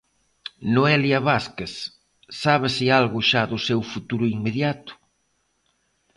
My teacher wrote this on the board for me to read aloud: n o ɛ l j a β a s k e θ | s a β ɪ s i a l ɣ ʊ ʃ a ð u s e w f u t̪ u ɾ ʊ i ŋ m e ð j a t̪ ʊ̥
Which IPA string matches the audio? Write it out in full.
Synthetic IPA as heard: n o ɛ l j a β a s k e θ | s a β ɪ s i a l ɣ ʊ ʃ a ð ʊ s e w f u t̪ u ɾ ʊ i ŋ m e ð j a t̪ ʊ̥